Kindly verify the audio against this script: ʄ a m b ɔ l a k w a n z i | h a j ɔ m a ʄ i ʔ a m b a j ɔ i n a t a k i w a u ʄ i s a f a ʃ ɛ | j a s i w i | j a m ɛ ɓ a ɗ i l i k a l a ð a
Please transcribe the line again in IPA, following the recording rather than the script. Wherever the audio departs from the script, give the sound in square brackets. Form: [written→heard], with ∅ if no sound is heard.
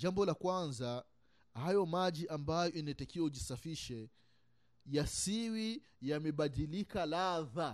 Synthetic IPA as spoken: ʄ a m b ɔ l a k w a n z [i→a] | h a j ɔ m a ʄ i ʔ a m b a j ɔ i n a t a k i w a u ʄ i s a f [a→i] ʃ ɛ | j a s i w i | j a m ɛ ɓ a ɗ i l i k a l a ð a